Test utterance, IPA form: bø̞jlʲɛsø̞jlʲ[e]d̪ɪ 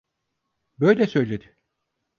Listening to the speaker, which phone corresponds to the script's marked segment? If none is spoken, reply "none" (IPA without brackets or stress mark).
e